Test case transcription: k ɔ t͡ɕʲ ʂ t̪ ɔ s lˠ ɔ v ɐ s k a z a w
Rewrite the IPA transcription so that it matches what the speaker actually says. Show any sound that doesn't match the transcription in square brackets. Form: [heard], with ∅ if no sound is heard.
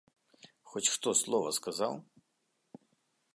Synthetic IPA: [x] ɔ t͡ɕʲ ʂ t̪ ɔ s lˠ ɔ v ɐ s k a z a w